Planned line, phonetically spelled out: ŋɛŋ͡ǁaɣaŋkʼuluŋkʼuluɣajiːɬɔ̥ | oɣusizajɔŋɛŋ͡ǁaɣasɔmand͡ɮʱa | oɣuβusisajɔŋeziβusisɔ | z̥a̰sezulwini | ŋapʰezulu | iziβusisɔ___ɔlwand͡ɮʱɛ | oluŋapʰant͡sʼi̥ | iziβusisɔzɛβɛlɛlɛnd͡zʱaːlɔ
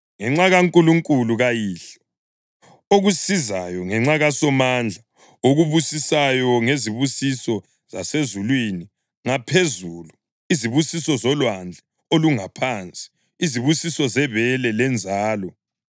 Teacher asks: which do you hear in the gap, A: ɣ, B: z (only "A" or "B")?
B